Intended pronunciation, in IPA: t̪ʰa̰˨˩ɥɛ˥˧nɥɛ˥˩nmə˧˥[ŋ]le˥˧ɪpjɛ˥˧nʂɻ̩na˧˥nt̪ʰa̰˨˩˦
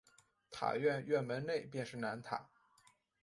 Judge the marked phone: incorrect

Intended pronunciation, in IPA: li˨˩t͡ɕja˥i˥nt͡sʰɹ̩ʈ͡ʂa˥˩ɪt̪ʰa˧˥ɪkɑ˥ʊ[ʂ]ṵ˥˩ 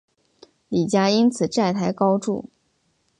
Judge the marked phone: incorrect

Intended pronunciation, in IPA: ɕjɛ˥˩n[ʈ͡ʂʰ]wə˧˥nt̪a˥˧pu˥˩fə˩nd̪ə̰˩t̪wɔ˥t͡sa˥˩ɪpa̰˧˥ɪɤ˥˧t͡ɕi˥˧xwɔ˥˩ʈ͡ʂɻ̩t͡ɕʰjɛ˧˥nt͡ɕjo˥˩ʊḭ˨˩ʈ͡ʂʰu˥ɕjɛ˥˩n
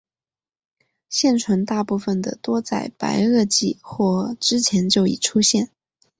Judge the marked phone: correct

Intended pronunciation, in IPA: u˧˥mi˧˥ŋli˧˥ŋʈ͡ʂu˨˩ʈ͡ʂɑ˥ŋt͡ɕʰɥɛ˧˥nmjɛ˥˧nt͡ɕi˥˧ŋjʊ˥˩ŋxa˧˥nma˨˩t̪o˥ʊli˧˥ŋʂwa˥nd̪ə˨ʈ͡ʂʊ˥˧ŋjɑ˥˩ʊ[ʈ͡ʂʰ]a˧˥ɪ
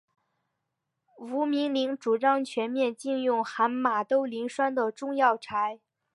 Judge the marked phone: correct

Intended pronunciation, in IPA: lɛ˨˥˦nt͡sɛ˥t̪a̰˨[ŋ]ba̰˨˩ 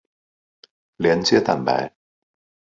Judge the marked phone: incorrect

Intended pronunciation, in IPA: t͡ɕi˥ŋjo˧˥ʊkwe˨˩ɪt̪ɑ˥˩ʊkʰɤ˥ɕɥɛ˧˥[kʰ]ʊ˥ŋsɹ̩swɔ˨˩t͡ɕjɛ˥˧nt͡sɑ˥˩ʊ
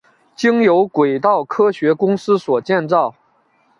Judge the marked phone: incorrect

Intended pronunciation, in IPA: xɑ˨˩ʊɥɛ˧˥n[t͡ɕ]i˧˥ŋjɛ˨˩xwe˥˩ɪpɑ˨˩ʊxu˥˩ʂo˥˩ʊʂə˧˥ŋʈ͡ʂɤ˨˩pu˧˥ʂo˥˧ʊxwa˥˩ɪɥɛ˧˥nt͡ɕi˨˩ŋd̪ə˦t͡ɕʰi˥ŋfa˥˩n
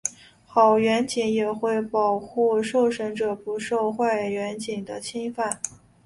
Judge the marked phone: correct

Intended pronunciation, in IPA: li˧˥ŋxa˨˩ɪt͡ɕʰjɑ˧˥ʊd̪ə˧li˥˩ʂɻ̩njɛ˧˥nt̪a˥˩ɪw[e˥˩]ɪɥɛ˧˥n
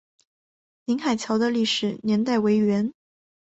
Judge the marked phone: incorrect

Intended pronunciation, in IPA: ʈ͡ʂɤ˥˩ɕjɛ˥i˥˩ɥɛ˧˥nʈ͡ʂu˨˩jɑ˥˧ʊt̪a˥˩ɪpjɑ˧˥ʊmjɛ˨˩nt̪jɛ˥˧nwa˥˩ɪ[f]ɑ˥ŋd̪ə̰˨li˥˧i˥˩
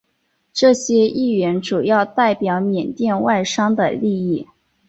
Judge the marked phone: incorrect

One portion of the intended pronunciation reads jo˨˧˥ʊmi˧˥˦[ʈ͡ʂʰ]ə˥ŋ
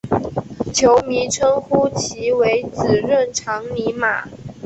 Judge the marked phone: correct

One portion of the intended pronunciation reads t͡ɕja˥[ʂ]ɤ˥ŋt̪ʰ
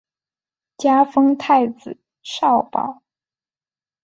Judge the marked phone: incorrect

